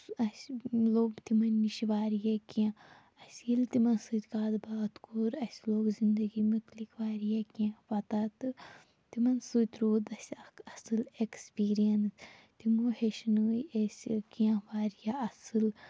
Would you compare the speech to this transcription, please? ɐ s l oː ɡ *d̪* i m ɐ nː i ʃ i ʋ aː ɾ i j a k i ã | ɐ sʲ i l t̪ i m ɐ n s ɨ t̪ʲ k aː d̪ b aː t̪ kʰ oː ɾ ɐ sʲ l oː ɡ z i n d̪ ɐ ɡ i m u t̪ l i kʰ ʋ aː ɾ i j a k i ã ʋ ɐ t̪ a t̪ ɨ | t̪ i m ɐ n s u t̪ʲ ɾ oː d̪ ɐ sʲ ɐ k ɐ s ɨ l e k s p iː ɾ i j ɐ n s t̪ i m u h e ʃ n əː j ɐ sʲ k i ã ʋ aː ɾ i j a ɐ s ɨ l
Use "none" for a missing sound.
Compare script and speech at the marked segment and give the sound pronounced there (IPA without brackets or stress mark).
t̪